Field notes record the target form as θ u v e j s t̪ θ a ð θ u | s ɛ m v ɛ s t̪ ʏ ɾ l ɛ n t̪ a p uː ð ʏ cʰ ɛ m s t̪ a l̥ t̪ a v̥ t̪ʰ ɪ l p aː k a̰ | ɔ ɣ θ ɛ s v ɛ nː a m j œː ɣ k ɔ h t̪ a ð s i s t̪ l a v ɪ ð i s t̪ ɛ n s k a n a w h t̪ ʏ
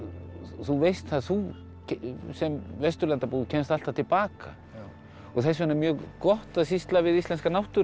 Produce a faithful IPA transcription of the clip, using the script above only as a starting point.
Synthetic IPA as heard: θ u v e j s t̪ θ a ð θ u | s ɛ m v ɛ s t̪ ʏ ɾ l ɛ n t̪ a p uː ð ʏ cʰ ɛ n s t̪ a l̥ t̪ a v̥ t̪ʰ ɪ l p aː k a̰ | ɔ ɣ θ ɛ s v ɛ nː a m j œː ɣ k ɔ h t̪ a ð s i s t̪ l a v ɪ ð i s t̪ ɛ n s k a n a w h t̪ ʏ